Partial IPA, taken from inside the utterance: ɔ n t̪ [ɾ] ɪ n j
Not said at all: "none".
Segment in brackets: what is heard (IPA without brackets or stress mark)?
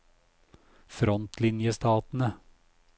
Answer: l